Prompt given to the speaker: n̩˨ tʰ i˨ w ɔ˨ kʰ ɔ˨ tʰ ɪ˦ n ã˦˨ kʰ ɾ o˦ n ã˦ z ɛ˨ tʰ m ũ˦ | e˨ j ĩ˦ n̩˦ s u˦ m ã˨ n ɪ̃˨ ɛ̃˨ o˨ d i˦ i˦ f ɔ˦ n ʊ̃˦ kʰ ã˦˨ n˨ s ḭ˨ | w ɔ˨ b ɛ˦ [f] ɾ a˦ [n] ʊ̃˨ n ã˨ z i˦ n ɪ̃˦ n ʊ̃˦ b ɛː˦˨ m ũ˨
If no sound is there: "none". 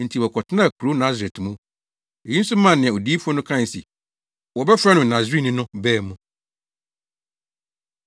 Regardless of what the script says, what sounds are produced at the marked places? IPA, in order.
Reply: f, n

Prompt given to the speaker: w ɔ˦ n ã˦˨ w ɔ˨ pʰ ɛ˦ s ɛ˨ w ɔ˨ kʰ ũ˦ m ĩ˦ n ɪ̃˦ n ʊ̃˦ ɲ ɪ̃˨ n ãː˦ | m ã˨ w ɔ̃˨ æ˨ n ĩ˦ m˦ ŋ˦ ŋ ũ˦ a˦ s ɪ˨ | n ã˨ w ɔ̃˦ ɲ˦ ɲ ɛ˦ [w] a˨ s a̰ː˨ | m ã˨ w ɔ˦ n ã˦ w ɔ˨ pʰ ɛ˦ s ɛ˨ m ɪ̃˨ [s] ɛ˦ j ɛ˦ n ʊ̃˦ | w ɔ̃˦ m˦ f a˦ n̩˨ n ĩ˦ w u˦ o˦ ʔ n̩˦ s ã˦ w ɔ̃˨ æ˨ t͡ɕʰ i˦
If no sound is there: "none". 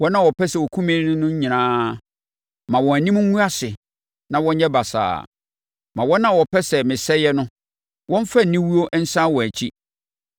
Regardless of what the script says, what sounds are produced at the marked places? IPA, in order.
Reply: b, s

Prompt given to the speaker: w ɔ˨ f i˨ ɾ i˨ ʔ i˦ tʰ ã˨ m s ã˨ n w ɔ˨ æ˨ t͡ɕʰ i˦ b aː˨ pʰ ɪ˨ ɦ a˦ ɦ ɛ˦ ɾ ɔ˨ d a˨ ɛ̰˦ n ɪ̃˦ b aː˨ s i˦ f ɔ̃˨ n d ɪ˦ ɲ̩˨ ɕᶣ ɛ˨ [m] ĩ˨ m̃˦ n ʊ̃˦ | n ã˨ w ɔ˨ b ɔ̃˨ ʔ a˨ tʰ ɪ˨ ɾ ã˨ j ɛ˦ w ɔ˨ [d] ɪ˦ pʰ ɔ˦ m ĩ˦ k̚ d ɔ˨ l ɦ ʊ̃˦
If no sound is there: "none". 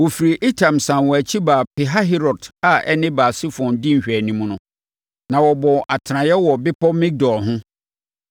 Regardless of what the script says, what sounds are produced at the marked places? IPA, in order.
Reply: n, b

